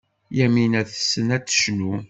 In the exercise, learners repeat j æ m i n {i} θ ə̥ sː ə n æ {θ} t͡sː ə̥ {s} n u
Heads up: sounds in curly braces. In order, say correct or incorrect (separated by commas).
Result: incorrect, incorrect, incorrect